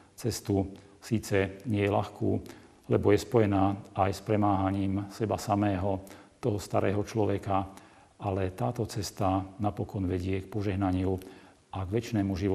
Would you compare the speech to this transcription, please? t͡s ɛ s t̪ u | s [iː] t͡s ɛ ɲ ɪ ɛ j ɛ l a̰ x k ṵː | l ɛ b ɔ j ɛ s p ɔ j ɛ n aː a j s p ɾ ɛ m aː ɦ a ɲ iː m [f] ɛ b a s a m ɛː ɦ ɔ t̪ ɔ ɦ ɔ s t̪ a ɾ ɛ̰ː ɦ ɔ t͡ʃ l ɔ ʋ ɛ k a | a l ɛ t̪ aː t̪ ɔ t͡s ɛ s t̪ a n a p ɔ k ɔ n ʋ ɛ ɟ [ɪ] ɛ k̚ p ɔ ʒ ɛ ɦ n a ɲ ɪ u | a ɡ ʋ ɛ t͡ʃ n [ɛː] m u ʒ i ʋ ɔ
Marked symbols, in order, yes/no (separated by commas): yes, no, yes, yes